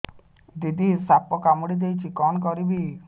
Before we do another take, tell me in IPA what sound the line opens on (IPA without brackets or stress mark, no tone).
d̪